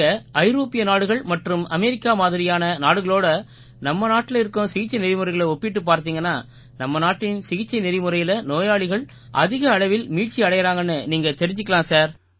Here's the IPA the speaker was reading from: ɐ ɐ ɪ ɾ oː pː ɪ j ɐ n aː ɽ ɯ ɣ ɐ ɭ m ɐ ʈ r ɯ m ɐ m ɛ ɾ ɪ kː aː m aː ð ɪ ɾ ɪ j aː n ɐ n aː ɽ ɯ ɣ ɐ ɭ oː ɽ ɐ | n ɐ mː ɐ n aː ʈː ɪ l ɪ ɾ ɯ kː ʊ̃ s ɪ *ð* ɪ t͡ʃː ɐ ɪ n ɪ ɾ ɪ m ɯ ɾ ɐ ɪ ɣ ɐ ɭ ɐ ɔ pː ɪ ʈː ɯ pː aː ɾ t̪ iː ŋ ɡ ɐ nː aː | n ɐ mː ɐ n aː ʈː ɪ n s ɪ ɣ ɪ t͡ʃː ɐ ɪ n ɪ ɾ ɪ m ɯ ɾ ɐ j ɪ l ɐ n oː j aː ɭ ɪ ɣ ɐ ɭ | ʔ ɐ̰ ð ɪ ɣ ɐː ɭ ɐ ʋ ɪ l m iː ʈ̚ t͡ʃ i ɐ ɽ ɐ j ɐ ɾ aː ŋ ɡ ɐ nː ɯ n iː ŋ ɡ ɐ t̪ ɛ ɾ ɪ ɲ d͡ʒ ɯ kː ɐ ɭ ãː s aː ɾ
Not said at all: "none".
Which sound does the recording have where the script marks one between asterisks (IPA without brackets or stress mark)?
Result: ɣ